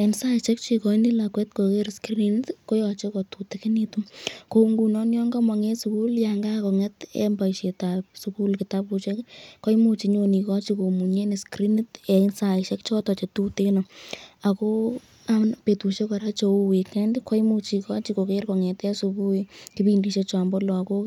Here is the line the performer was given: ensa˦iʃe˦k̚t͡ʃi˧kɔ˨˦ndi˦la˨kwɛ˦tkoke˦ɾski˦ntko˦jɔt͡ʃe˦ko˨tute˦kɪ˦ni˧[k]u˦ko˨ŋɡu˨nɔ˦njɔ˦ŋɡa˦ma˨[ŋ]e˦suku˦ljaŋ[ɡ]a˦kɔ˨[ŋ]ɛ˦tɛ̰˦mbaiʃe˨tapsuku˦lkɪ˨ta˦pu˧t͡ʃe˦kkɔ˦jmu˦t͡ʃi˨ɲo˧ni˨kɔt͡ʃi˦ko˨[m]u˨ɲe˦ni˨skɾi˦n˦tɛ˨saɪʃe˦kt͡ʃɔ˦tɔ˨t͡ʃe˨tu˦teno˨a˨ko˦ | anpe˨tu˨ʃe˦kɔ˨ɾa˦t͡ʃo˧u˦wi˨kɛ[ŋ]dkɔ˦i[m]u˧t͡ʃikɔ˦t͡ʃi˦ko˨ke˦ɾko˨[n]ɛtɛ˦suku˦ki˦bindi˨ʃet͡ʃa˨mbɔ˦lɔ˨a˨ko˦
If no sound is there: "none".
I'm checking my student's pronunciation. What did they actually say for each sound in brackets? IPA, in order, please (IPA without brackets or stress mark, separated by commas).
t, ŋ, ɡ, ŋ, m, n, m, ŋ